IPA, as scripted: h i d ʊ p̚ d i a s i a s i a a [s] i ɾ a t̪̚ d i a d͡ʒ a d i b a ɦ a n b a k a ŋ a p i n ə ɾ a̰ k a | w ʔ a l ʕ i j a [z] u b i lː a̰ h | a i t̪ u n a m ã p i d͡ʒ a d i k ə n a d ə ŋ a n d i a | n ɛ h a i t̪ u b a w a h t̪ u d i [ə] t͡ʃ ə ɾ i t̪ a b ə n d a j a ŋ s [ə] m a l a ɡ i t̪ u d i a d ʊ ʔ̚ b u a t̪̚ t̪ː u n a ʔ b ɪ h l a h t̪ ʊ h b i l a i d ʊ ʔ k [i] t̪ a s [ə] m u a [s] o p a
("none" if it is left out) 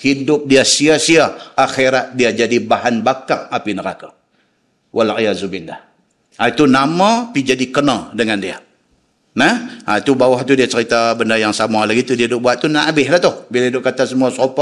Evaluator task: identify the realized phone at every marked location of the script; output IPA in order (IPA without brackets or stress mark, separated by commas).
x, z, a, a, a, ə, s